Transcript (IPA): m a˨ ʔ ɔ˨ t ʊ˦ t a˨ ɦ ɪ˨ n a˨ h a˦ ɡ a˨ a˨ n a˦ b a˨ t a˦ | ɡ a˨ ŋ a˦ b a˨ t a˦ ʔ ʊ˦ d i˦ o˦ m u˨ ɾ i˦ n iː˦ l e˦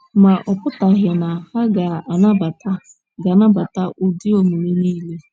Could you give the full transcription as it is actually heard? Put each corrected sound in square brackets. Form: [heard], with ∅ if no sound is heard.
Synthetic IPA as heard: m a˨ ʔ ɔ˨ [p] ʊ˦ t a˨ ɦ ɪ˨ n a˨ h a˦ ɡ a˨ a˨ n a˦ b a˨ t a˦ | ɡ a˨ [n] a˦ b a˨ t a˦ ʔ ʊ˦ d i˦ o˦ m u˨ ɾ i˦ n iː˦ l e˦